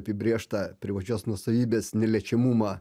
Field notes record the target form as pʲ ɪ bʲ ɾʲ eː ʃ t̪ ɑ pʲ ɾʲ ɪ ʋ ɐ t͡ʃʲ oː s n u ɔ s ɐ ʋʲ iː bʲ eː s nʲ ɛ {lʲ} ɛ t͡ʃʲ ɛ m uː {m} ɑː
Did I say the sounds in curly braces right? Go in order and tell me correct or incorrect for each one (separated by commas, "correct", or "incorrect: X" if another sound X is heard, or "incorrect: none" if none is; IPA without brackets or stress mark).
correct, correct